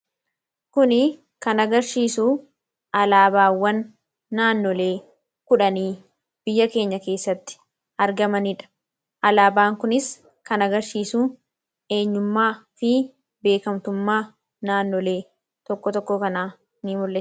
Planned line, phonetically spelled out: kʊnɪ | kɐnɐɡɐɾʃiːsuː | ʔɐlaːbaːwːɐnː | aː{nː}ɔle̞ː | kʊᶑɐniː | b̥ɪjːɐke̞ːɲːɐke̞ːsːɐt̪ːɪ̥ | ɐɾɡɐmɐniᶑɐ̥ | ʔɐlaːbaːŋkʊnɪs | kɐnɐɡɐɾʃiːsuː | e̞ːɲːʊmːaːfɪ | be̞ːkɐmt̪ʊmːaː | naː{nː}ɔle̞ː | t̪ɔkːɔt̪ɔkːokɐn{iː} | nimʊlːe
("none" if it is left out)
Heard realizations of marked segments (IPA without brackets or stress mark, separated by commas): nː, nː, aː